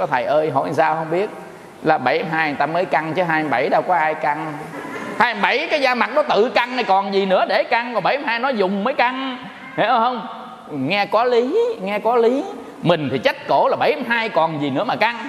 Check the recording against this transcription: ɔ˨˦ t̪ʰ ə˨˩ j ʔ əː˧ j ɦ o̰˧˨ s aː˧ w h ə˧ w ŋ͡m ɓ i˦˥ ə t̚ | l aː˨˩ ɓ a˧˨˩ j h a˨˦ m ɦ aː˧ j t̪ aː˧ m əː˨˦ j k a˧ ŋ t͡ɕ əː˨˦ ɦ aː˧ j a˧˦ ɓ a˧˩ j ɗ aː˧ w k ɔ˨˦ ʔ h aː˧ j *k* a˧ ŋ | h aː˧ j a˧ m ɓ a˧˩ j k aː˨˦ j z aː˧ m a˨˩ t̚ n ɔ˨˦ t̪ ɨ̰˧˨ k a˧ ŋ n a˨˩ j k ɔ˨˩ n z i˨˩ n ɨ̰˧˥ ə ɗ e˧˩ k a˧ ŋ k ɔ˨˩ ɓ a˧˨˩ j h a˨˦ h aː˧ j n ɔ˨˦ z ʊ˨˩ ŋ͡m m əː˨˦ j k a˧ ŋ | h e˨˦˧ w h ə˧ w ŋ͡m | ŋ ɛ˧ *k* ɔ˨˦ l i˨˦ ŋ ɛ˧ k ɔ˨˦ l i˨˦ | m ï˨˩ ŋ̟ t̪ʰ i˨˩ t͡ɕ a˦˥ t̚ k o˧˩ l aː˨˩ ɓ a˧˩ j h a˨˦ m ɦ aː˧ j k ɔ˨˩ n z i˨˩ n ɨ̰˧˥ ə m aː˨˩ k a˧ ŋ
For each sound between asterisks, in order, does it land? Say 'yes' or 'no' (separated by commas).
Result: yes, yes